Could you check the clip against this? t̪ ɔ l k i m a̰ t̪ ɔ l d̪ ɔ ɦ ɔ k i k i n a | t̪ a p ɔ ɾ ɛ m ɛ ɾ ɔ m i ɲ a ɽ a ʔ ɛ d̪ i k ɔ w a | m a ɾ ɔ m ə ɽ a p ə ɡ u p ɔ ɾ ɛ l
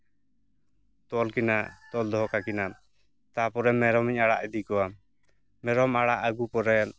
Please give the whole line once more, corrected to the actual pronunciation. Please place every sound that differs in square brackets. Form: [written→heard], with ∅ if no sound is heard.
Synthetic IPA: t̪ ɔ l k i [m→n] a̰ t̪ ɔ l d̪ ɔ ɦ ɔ k [i→a] k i n a | t̪ a p ɔ ɾ ɛ m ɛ ɾ ɔ m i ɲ a ɽ a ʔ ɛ d̪ i k ɔ w a | m [a→ɛ] ɾ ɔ m [ə→a] ɽ a [p→ʔ] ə ɡ u p ɔ ɾ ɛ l